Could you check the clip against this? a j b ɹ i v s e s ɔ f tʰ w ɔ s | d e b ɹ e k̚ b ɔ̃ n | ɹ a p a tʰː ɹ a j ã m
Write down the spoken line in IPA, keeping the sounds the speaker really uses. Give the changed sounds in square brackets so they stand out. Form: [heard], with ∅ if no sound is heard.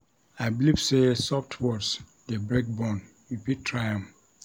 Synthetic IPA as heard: a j b [l] i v s e s ɔ f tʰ w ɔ s | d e b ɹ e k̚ b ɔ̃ n | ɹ [i] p [i] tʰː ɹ a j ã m